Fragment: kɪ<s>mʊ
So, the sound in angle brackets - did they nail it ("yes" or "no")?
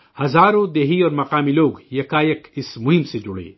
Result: yes